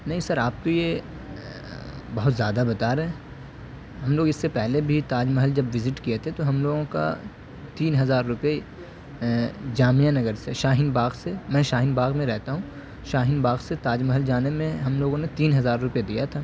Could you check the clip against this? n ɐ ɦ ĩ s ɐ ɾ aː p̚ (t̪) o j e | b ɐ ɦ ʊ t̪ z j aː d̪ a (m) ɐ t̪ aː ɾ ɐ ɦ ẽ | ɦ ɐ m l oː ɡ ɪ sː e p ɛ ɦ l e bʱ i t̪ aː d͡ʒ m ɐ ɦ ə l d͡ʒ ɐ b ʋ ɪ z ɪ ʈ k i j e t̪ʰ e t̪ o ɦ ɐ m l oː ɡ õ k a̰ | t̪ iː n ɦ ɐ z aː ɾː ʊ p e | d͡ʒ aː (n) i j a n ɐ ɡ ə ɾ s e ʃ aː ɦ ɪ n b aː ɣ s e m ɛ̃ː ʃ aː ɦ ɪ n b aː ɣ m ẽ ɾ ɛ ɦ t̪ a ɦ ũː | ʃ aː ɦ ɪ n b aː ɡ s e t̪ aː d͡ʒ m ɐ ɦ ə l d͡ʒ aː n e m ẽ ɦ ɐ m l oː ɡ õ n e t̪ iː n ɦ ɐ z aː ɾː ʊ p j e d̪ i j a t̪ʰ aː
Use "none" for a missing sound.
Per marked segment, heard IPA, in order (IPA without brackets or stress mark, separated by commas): t̪, b, m